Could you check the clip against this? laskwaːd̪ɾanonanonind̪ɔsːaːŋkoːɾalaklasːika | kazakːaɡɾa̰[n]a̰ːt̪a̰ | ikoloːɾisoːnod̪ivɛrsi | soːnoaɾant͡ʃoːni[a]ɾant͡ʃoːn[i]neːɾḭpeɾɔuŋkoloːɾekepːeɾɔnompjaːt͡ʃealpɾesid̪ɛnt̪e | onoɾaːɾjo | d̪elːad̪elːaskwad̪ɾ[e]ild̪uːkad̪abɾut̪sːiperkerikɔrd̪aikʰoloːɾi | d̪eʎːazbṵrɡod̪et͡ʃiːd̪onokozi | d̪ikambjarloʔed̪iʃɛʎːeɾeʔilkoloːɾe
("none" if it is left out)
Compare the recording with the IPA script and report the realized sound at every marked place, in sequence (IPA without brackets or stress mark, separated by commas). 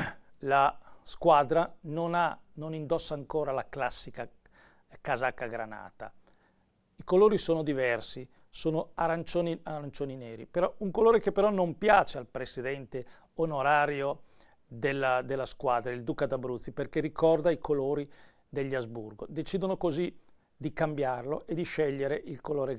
n, a, i, a